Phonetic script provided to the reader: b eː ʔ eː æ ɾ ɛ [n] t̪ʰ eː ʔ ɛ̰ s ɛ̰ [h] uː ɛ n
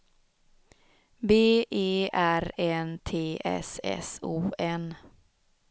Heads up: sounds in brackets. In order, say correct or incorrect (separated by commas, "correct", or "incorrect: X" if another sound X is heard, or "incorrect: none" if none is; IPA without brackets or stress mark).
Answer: correct, incorrect: s